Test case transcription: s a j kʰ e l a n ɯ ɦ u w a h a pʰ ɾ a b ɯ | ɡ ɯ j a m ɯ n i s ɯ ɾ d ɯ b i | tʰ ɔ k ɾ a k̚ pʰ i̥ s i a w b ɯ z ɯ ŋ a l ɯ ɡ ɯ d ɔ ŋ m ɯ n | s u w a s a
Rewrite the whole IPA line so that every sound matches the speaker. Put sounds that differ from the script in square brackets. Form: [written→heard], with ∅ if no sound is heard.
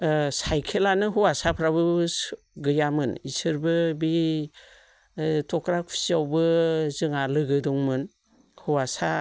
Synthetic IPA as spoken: s a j kʰ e l a n ɯ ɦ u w a [h→s] a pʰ ɾ a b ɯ | ɡ ɯ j a m ɯ n i s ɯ ɾ [d→b] ɯ b i | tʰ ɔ k ɾ a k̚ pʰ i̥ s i a w b ɯ z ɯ ŋ a l ɯ ɡ ɯ d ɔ ŋ m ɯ n | [s→h] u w a s a

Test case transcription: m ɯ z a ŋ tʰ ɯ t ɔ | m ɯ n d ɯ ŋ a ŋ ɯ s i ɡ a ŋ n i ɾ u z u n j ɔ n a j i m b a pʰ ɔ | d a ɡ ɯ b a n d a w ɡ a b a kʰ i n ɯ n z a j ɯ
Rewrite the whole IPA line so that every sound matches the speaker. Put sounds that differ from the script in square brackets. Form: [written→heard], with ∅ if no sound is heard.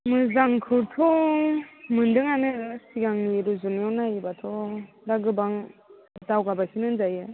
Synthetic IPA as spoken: m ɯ z a ŋ [tʰ→kʰ] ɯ [t→tʰ] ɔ | m ɯ n d ɯ ŋ a [ŋ→n] ɯ s i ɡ a ŋ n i ɾ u z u n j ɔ n a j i [m→∅] b a [pʰ→tʰ] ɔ | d a ɡ ɯ b a [n→ŋ] d a w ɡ a b a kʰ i n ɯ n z a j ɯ

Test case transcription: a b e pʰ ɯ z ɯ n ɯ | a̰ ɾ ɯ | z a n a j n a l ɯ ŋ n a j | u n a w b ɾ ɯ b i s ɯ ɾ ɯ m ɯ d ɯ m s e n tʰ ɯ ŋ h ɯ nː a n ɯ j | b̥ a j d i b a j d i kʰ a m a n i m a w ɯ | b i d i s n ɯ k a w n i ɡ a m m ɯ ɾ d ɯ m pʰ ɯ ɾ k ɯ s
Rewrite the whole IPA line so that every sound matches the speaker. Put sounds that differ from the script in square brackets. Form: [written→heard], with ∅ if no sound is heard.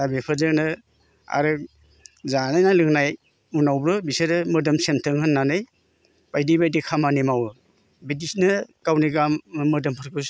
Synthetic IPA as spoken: a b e pʰ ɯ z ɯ n ɯ | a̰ ɾ ɯ | z a n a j n a l ɯ ŋ n a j | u n a w b ɾ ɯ b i s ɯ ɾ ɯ m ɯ d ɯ m s e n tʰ ɯ ŋ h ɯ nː a n ɯ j | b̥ a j d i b a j d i kʰ a m a n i m a w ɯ | b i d i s n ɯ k a w n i ɡ a m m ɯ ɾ d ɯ m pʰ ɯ ɾ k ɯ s

